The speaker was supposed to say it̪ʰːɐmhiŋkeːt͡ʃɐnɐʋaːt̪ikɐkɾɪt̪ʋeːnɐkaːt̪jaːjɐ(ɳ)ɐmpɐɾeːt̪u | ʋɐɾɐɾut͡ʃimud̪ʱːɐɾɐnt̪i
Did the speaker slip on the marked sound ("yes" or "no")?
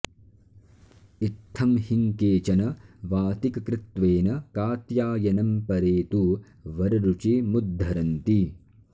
yes